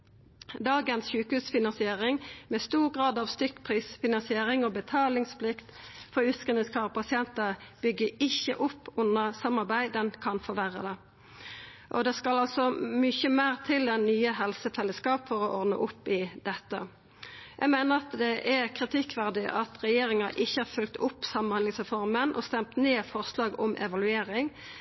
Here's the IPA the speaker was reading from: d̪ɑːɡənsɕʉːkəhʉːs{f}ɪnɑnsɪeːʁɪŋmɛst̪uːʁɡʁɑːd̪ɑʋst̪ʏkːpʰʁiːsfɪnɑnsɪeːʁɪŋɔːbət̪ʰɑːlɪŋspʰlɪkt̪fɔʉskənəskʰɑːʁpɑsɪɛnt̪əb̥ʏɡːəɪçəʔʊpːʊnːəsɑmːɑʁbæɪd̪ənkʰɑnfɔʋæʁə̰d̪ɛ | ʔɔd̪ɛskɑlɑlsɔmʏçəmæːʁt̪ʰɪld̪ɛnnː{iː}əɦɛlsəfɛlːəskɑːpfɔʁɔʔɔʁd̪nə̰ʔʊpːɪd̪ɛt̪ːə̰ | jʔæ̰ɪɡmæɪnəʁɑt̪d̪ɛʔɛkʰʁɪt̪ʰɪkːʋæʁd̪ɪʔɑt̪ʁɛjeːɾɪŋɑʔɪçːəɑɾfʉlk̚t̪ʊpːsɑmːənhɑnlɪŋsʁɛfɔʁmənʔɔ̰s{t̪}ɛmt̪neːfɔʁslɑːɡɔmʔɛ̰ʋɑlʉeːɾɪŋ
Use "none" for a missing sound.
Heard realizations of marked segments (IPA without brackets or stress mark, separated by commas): f, yː, t̪